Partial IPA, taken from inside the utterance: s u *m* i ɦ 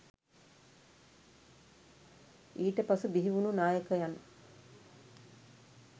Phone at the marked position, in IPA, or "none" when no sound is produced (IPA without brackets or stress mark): b